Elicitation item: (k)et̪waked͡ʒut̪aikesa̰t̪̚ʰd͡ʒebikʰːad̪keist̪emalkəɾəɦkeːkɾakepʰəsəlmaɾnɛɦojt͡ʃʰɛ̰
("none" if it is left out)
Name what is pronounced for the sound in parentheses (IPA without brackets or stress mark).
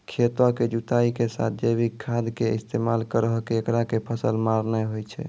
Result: kʰ